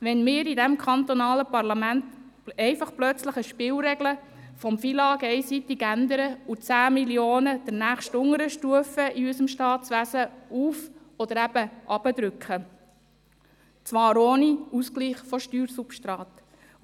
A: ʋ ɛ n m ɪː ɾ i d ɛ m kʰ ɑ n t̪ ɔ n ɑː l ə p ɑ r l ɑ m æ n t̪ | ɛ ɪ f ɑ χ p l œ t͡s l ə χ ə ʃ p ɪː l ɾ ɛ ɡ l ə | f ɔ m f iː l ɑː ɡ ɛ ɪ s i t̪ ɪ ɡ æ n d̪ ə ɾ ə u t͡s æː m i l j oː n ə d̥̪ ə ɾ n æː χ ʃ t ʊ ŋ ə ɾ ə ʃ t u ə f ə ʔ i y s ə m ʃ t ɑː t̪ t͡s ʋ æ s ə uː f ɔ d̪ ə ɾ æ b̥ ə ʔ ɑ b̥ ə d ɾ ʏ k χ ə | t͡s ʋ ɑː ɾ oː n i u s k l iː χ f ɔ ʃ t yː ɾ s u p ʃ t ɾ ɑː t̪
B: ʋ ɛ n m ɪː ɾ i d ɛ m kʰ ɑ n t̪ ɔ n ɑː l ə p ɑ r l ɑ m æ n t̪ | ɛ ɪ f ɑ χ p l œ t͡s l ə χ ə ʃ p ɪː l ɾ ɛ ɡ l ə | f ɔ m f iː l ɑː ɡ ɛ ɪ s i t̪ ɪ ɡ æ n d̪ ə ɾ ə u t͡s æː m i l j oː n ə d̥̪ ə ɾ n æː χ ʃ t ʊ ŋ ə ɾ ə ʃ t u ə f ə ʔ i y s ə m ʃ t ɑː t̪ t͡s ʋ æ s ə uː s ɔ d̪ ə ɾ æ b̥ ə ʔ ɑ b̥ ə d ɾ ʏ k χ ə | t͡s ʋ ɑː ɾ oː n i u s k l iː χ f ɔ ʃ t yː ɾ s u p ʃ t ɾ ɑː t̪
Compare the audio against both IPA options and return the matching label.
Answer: A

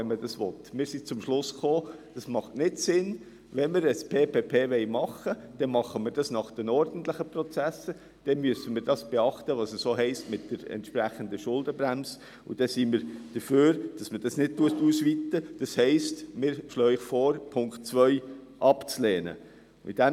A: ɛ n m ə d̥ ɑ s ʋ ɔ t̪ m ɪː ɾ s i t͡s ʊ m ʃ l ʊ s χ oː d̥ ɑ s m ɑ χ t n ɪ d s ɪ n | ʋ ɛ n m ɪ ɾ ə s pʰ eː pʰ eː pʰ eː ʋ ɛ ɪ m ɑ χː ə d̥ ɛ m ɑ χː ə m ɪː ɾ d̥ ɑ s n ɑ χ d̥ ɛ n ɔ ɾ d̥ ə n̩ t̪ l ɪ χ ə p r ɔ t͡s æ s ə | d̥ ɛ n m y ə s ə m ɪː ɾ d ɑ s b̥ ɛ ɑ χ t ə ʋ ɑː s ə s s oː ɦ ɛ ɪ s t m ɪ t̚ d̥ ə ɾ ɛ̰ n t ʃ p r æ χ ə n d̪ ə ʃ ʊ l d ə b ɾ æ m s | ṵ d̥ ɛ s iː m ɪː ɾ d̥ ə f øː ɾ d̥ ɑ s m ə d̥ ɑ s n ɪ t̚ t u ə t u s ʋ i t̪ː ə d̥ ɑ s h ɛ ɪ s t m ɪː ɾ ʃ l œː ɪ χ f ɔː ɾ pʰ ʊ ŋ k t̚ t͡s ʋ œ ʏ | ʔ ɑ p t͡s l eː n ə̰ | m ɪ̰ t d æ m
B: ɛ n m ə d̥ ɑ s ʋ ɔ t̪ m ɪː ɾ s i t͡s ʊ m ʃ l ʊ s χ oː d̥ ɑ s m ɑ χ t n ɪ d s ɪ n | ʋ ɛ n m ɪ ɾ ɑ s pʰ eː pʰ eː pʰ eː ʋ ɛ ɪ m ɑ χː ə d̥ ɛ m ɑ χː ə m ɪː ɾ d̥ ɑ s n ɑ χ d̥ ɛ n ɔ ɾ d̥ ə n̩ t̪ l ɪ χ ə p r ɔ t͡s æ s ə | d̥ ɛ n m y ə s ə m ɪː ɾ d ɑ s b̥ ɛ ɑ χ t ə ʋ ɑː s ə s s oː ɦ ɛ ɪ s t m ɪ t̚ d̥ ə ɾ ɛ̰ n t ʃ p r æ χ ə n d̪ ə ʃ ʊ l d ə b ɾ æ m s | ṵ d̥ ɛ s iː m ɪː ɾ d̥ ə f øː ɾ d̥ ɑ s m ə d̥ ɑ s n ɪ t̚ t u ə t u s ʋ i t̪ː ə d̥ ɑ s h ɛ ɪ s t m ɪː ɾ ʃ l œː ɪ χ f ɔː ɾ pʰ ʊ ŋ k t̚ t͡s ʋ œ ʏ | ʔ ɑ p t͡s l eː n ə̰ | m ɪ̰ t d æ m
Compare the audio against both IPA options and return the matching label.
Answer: A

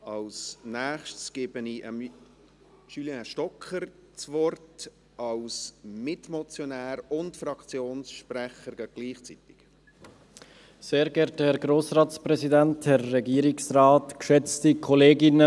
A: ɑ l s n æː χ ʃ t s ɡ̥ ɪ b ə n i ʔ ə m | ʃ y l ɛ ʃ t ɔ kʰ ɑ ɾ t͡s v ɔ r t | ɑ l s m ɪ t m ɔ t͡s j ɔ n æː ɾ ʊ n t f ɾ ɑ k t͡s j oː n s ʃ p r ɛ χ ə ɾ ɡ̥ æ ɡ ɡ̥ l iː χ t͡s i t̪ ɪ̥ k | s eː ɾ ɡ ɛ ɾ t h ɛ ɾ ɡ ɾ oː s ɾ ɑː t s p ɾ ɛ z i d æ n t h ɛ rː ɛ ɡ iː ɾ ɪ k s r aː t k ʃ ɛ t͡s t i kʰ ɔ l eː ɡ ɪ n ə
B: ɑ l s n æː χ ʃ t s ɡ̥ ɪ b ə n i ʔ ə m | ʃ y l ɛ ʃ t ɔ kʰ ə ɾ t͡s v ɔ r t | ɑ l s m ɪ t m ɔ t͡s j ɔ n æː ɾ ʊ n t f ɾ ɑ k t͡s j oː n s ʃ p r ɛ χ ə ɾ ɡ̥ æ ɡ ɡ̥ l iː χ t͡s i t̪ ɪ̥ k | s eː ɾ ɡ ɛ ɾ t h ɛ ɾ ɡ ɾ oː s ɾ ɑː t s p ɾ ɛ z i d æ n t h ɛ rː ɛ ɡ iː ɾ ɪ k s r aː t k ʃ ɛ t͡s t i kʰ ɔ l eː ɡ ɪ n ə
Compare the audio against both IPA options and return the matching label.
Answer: B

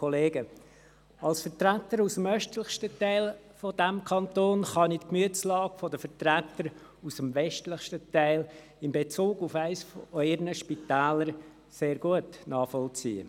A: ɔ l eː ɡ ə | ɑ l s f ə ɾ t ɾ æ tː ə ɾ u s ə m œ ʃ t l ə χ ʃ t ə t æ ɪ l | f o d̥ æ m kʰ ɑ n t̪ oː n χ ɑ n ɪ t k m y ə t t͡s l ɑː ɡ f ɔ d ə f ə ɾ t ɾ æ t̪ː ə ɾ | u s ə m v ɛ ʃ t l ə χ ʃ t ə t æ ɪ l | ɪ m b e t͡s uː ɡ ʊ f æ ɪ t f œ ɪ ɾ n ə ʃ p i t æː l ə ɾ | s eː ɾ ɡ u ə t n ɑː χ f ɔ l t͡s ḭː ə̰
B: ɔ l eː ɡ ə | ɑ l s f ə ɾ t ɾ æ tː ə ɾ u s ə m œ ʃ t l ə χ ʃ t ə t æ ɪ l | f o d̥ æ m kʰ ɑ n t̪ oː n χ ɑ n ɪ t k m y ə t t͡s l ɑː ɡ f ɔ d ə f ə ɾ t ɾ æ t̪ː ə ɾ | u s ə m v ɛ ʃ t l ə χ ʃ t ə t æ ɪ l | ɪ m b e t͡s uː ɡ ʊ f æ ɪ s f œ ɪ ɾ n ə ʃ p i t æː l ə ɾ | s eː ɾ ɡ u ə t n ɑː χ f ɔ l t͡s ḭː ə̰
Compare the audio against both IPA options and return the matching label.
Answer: B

